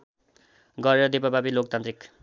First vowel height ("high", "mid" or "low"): mid